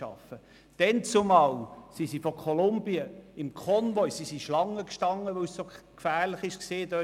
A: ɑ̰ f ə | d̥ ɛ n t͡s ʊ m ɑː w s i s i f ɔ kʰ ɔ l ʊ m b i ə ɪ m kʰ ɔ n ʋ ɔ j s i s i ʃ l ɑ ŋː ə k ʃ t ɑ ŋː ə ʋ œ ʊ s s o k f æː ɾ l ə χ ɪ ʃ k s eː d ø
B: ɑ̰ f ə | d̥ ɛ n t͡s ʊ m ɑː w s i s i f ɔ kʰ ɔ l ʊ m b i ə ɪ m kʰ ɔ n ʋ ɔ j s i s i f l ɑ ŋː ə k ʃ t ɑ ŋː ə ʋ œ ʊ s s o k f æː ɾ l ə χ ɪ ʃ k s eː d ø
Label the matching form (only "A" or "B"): A